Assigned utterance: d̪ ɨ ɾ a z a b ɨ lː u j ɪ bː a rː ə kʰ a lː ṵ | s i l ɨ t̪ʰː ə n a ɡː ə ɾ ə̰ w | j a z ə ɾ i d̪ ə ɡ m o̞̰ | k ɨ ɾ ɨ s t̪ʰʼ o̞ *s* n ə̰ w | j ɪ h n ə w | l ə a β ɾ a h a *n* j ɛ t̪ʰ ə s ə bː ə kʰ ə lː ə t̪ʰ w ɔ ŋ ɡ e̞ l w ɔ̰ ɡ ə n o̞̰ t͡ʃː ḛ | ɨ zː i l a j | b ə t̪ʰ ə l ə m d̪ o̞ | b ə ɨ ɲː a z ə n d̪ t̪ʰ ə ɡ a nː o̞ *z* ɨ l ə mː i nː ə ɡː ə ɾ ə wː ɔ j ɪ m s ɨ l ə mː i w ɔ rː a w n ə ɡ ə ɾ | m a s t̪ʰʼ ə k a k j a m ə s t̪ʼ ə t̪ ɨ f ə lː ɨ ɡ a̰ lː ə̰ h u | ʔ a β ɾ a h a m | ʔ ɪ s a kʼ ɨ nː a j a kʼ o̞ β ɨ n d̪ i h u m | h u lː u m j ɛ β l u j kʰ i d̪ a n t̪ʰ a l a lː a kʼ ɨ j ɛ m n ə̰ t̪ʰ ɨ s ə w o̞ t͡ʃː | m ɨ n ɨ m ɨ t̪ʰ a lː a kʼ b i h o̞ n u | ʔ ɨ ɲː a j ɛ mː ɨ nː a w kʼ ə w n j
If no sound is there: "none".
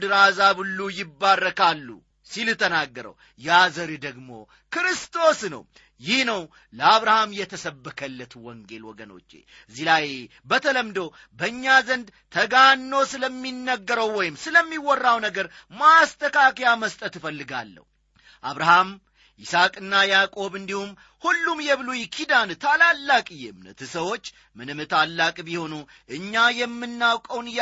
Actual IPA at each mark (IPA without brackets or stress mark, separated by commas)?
s, m, s